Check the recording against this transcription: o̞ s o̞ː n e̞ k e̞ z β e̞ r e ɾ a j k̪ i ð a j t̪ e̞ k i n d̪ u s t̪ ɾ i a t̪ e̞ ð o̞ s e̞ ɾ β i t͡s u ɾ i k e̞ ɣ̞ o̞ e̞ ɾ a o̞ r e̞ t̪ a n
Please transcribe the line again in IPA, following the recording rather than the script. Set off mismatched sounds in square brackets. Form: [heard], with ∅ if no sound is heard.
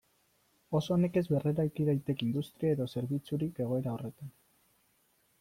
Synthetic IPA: o̞ s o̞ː n e̞ k e̞ z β e̞ r e ɾ a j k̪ i ð a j t̪ e̞ k i n d̪ u s t̪ ɾ i a [∅] e̞ ð o̞ s e̞ ɾ β i t͡s u ɾ i k e̞ ɣ̞ o̞ e̞ ɾ a o̞ r e̞ t̪ a n